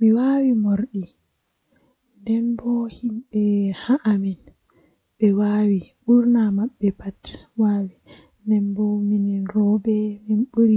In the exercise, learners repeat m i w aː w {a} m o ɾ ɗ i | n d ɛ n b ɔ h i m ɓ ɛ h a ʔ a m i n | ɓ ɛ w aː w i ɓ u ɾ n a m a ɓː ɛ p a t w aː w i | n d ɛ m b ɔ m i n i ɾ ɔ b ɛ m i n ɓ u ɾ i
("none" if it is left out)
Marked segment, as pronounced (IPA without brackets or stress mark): i